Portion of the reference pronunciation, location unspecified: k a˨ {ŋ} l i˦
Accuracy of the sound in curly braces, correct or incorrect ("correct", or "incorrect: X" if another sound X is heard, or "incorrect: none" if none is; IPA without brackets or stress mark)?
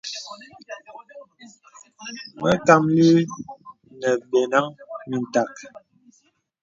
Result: incorrect: m